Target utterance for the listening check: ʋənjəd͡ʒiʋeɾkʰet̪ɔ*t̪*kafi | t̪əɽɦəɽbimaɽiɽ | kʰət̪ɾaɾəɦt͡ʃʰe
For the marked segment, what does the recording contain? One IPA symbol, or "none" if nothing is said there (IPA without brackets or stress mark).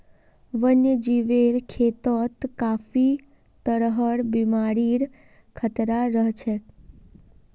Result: t̪